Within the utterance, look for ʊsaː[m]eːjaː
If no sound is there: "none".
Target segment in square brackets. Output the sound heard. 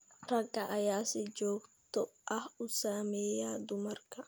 m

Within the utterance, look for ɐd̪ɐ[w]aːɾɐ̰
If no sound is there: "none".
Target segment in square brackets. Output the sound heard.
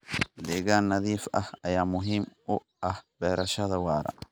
w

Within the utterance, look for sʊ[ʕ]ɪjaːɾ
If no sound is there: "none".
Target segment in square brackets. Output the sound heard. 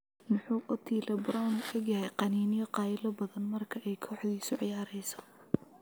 ʕ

